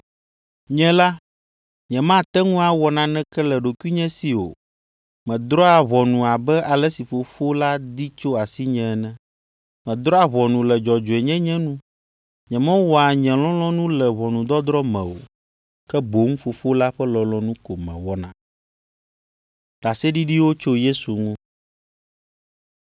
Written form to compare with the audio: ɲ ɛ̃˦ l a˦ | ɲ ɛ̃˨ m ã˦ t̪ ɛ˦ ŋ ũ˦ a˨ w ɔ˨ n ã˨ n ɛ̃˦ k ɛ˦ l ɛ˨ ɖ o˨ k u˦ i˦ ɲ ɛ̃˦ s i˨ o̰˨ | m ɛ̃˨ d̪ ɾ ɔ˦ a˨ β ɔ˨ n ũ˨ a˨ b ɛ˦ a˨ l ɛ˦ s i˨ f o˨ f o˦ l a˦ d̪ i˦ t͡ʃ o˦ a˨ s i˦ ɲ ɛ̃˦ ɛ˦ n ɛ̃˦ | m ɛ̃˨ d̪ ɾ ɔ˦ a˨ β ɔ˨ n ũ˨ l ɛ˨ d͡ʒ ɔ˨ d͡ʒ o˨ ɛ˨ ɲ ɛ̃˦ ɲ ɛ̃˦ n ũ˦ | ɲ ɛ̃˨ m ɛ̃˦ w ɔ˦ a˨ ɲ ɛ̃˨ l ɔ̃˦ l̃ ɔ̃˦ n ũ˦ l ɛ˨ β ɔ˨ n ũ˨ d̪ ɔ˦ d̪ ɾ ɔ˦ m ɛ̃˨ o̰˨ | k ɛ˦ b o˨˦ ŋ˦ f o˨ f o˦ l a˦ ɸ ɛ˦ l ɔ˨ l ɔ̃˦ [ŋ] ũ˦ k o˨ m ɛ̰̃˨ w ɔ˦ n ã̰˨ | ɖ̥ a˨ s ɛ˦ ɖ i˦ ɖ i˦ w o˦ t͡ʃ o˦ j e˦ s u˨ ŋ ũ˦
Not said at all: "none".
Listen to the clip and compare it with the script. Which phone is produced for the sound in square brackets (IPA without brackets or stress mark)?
n